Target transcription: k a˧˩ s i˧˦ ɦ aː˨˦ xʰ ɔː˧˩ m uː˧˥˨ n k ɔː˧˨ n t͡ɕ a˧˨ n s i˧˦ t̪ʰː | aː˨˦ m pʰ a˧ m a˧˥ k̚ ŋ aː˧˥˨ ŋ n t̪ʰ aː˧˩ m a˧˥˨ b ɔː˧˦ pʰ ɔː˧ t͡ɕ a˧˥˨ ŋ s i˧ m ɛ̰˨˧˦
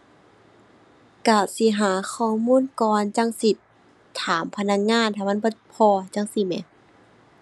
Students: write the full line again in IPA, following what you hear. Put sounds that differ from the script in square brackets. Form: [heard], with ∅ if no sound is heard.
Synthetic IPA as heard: k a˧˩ s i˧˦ ɦ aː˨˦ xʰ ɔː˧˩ m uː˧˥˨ n k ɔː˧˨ n t͡ɕ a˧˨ [ŋ] s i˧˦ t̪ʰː | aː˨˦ m pʰ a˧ [n] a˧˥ k̚ ŋ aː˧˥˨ [∅] n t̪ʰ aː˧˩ m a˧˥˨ b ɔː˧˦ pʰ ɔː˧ t͡ɕ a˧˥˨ ŋ s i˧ m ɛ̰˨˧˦